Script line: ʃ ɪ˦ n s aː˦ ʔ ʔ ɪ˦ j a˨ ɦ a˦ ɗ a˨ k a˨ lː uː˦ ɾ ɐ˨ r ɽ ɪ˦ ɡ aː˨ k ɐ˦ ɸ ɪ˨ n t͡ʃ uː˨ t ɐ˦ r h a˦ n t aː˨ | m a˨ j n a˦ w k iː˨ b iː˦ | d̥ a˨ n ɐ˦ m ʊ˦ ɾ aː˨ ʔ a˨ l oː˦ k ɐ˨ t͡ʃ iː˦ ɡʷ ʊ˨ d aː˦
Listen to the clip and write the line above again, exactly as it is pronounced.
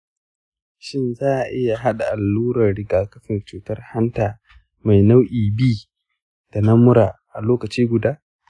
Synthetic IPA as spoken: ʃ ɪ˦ n z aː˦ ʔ ʔ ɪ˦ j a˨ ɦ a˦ ɗ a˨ ʔ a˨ lː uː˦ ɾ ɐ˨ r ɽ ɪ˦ ɡ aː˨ k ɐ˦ ɸ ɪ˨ n t͡ʃ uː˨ t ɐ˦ r h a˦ n t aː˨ | m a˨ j n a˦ w ʔ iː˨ b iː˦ | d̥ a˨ n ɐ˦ m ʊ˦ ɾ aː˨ ʔ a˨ l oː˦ k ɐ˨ t͡ʃ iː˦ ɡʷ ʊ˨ d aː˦